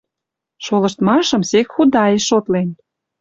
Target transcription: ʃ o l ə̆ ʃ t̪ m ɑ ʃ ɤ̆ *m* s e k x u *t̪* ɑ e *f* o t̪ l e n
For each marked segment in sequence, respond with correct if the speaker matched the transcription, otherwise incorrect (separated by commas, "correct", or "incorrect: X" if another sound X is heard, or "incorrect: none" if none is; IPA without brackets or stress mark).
correct, incorrect: d̪, incorrect: ʃ